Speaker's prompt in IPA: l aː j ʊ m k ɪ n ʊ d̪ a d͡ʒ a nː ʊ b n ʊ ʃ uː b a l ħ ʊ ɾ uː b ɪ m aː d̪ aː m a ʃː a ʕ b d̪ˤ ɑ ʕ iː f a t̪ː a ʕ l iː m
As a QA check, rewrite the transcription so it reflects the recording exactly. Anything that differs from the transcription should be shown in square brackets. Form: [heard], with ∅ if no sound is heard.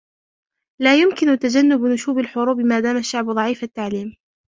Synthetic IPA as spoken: l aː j ʊ m k ɪ n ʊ [t̪] a d͡ʒ a nː ʊ b n ʊ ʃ uː b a l ħ ʊ ɾ uː b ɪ m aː d̪ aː m a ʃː a ʕ b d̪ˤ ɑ ʕ iː f a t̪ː a ʕ l iː m